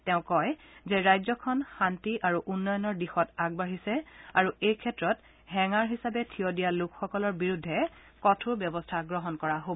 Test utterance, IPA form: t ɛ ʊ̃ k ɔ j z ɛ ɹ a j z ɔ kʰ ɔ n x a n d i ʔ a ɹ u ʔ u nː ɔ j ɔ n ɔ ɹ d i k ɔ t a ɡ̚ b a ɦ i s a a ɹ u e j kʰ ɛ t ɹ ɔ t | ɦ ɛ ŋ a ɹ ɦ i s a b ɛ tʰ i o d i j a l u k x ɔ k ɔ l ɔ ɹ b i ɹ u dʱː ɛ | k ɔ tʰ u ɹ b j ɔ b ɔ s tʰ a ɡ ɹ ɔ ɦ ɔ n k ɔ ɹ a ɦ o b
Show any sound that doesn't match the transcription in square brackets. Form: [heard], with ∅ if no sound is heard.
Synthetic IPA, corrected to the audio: t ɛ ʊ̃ k ɔ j z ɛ ɹ a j z ɔ kʰ ɔ n x a n [t] i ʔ a ɹ u ʔ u nː ɔ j ɔ n ɔ ɹ d i [x] ɔ t a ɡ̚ b a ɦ i s [ɛ] a ɹ u e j kʰ ɛ t ɹ ɔ t | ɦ ɛ ŋ a ɹ ɦ i s a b ɛ tʰ i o d i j a l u k x ɔ k ɔ l ɔ ɹ b i ɹ u dʱː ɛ | k ɔ tʰ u ɹ b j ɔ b ɔ s tʰ a ɡ ɹ ɔ ɦ ɔ n k ɔ ɹ a ɦ o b